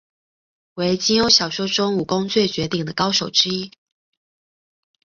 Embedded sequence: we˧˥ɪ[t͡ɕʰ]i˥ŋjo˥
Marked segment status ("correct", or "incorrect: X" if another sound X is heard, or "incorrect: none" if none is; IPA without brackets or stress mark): incorrect: t͡ɕ